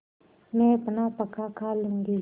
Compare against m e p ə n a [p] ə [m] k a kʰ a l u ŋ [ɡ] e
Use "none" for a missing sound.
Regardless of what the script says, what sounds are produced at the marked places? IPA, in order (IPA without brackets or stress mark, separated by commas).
p, none, ɡ